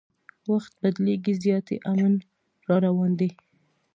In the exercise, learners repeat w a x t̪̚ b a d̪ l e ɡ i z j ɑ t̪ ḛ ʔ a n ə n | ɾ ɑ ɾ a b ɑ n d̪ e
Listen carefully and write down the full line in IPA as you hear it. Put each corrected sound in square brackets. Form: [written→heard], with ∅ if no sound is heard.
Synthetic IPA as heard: w a x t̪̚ b a d̪ l e ɡ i z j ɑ t̪ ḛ ʔ a [n→m] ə n | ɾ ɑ ɾ a [b→w] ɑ n d̪ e